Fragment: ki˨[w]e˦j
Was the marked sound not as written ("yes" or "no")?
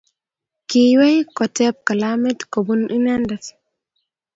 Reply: no